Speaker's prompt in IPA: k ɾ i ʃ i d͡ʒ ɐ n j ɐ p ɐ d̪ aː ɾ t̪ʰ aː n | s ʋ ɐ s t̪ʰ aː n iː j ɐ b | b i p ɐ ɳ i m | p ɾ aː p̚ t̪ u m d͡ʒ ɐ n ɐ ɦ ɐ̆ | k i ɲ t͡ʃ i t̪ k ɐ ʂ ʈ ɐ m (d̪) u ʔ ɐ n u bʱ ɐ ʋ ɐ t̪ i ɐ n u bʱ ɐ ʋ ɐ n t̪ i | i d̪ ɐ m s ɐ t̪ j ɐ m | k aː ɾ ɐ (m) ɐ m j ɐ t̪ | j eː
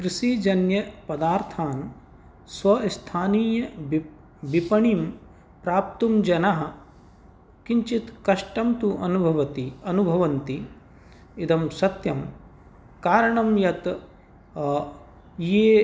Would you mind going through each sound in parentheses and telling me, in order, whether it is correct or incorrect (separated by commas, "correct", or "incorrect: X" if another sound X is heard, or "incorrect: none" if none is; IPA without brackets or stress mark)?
incorrect: t̪, incorrect: ɳ